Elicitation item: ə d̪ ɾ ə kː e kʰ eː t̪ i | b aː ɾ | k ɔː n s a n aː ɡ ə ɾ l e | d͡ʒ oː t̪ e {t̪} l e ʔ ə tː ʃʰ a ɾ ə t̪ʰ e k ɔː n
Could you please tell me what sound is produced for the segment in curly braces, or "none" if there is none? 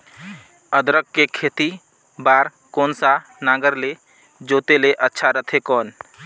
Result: none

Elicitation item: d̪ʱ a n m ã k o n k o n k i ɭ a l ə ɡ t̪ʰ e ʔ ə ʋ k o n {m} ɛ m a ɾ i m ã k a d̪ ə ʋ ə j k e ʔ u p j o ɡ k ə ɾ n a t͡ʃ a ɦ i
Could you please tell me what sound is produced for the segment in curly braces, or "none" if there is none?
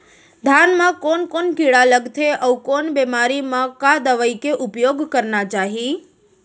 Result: b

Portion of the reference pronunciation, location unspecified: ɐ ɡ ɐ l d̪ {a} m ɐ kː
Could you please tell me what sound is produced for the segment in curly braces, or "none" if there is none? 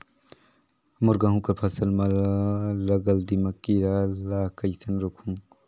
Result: i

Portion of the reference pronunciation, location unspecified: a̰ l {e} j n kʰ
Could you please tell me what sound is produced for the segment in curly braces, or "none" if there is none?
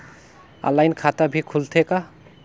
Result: a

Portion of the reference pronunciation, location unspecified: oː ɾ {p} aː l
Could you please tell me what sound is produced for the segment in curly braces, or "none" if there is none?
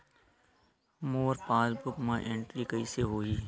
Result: p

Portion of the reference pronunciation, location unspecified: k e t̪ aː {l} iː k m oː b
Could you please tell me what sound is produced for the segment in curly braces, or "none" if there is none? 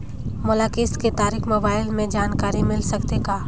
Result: ɾ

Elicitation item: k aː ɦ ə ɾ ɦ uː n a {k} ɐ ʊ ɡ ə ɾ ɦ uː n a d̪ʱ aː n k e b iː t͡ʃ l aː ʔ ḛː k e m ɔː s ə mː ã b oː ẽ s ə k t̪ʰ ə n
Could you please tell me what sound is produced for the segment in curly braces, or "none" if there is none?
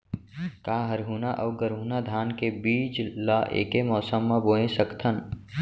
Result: ʔ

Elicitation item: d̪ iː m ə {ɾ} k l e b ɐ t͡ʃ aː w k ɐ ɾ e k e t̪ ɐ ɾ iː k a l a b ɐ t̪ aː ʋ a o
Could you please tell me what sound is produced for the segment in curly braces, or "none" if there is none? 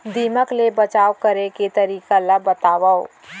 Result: none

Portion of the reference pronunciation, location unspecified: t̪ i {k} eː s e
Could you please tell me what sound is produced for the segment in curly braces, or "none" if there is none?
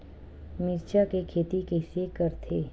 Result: k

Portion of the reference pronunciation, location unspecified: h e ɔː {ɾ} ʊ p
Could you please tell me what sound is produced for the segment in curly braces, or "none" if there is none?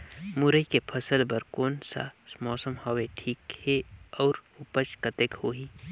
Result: ɾ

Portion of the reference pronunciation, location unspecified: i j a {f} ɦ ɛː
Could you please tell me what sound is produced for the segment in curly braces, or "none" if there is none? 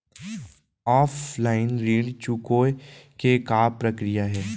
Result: none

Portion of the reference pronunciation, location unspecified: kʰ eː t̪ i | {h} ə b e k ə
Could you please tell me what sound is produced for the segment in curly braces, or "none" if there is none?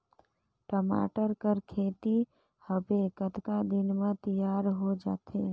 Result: h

